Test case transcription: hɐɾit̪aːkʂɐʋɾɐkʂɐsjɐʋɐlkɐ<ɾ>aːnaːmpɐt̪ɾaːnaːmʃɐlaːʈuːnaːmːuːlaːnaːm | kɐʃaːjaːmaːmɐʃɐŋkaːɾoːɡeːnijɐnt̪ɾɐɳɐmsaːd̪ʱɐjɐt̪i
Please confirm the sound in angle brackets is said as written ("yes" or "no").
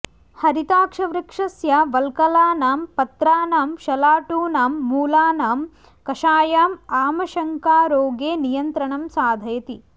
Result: no